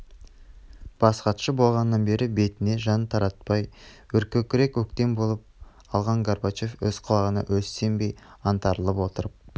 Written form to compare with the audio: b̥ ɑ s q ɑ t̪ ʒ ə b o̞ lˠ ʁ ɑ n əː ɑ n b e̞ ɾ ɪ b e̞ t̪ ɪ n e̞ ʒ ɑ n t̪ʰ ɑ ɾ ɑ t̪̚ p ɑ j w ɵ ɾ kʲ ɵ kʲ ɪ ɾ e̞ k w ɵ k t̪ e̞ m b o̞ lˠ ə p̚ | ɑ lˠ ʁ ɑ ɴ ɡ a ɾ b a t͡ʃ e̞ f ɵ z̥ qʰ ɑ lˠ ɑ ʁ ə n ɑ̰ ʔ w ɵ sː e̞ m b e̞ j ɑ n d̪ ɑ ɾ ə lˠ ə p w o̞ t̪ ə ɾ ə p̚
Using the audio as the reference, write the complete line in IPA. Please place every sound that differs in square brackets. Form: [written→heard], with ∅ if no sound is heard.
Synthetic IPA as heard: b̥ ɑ s q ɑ t̪ [ʒ→ʃ] ə b o̞ lˠ ʁ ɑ n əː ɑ n b e̞ ɾ ɪ b e̞ t̪ ɪ n e̞ ʒ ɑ n t̪ʰ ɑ ɾ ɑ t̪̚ p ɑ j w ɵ ɾ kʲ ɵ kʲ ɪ ɾ e̞ k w ɵ k t̪ e̞ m b o̞ lˠ ə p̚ | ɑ lˠ ʁ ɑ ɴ ɡ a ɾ b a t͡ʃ e̞ f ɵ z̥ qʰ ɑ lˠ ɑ ʁ ə n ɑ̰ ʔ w ɵ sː e̞ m b e̞ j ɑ n [d̪→t̪] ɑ ɾ ə lˠ ə p w o̞ t̪ ə ɾ ə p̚